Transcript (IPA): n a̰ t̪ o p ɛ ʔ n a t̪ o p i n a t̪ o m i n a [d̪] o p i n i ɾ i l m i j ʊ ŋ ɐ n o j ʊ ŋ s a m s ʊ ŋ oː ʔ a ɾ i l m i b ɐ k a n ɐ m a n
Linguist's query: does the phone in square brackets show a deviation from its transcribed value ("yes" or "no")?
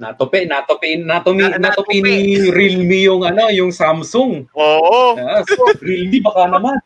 yes